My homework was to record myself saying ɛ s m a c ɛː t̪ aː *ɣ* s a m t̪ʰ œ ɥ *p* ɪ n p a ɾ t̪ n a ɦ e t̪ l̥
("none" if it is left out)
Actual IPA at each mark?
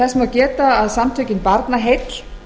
ð, c

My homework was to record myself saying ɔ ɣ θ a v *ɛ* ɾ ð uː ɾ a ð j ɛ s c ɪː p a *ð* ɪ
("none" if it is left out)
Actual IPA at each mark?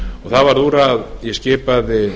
a, ð

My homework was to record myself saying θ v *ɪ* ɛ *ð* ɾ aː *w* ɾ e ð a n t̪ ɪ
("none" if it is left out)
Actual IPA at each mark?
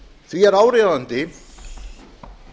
i, none, w

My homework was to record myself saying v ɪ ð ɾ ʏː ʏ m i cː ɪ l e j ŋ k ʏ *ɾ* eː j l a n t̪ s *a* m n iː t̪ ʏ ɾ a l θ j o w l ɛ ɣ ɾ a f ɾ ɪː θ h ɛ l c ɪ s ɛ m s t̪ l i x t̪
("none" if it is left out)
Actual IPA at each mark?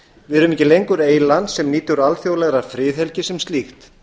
ɾ, ɛ

